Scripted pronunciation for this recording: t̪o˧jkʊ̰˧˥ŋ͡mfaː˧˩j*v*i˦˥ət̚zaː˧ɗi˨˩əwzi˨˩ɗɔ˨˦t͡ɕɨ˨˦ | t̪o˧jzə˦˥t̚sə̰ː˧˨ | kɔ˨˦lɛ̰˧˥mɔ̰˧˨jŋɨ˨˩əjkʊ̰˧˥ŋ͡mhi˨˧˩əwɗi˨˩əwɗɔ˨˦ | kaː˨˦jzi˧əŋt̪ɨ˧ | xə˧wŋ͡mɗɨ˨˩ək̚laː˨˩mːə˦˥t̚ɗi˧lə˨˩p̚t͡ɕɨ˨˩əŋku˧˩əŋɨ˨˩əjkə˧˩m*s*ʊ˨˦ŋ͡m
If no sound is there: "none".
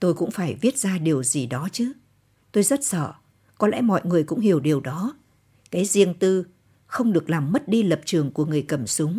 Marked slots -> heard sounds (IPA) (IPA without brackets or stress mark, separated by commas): v, s